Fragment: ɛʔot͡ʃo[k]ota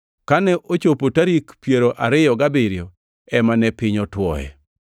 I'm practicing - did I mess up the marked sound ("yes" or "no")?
yes